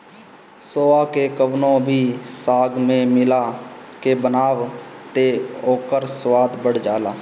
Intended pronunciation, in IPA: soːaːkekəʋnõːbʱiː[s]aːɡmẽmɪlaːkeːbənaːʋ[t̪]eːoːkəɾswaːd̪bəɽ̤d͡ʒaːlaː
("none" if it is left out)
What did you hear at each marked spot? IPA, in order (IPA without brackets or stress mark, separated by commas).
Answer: s, t̪